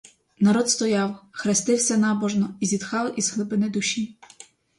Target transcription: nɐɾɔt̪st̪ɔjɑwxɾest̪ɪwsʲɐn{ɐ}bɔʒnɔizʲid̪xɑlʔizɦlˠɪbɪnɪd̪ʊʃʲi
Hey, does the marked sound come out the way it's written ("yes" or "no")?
no